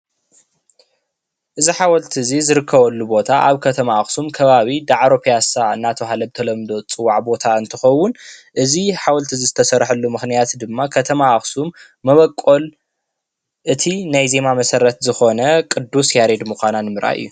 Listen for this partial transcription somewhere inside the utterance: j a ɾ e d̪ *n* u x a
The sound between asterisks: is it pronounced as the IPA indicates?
no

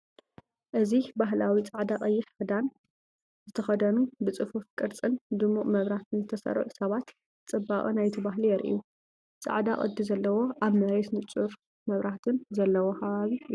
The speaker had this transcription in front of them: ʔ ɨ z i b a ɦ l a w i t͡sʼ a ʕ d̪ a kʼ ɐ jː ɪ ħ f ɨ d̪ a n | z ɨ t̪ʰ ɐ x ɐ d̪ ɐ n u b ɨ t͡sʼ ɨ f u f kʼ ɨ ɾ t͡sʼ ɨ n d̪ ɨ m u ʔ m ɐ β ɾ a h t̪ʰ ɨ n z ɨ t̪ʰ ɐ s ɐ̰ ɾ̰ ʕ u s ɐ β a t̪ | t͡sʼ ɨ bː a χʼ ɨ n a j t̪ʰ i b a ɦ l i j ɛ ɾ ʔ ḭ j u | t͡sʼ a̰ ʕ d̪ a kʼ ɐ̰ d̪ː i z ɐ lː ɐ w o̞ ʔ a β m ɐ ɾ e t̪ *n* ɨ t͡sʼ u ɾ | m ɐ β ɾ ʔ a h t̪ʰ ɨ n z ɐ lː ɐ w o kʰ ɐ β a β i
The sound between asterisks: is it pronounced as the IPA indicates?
yes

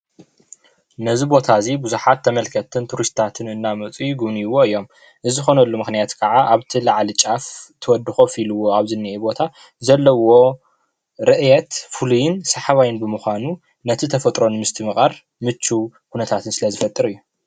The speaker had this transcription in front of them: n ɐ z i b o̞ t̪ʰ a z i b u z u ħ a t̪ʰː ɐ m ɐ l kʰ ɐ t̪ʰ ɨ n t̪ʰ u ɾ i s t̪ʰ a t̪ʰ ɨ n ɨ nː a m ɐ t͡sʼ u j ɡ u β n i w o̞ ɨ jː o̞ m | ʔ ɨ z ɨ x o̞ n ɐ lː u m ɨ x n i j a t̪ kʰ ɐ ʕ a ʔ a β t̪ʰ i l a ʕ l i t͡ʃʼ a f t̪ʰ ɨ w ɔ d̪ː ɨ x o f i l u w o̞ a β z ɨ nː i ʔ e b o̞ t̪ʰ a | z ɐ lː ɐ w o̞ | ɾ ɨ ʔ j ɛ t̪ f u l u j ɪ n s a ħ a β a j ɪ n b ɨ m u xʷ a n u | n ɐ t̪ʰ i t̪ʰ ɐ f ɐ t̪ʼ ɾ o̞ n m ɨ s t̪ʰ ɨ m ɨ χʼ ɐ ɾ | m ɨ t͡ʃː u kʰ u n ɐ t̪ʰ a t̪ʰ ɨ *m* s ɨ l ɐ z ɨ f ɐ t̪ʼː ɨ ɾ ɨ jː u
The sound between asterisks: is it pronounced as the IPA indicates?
no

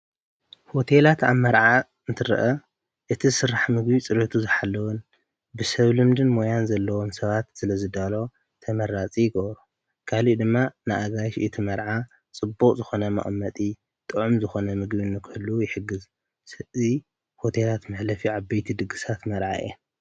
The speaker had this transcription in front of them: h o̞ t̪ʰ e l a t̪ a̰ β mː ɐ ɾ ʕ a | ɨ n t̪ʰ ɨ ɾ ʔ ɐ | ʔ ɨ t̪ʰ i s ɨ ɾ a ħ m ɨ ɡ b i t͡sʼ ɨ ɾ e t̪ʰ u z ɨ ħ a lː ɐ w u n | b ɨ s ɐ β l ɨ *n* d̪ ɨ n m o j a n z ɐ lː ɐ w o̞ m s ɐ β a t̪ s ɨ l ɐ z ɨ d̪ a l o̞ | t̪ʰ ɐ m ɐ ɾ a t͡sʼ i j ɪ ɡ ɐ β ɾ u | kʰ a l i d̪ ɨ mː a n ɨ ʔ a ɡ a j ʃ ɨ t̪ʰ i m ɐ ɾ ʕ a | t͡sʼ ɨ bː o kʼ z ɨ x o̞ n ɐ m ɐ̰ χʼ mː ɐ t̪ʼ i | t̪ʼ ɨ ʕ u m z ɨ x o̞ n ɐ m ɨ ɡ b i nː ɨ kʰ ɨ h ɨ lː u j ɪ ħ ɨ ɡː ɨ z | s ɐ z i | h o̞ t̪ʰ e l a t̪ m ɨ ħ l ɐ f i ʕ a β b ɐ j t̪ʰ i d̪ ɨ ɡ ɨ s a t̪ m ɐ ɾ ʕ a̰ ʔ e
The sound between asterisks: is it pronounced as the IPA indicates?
no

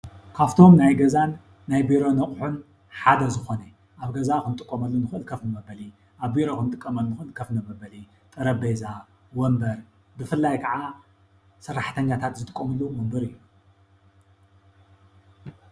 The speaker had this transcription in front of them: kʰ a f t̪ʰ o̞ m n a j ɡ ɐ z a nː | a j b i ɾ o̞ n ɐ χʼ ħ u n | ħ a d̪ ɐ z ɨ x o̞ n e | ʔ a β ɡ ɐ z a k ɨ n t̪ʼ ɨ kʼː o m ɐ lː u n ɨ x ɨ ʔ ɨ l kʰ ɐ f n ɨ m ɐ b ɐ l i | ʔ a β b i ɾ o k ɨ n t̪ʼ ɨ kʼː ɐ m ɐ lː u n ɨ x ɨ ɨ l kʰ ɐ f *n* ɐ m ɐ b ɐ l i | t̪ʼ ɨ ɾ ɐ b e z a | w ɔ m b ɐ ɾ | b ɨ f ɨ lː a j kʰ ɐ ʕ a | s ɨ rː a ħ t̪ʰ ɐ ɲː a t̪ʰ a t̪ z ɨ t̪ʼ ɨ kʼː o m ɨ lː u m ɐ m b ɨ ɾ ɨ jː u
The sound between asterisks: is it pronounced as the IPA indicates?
yes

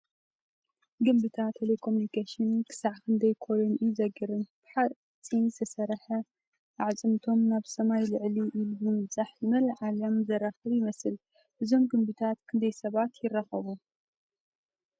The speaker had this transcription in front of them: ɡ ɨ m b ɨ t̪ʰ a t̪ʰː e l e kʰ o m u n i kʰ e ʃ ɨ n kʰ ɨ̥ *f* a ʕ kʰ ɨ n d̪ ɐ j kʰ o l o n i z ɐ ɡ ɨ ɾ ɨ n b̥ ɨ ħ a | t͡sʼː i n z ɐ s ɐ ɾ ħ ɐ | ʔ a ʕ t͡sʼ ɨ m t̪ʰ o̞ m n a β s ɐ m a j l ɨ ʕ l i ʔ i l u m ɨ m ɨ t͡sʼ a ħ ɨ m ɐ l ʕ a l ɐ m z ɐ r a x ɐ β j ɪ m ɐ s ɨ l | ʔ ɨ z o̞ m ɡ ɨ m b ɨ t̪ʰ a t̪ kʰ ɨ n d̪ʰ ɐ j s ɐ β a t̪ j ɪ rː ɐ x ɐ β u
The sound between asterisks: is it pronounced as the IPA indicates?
no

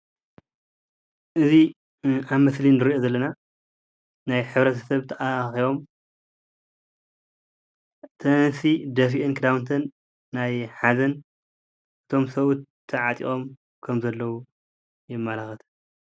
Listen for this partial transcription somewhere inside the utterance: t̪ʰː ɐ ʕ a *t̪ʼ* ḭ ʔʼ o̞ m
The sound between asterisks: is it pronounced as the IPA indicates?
yes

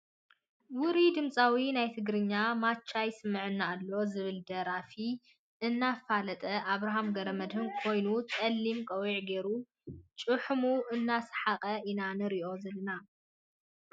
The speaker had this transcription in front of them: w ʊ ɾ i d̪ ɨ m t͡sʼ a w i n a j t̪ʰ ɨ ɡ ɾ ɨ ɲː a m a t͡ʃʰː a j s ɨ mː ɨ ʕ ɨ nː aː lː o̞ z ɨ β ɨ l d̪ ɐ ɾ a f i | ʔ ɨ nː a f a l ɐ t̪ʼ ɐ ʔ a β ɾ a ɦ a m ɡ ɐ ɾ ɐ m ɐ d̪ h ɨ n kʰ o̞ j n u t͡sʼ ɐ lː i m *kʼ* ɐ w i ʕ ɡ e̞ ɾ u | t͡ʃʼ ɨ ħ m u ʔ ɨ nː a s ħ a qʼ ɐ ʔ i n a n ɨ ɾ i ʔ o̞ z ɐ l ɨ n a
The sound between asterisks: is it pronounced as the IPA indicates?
yes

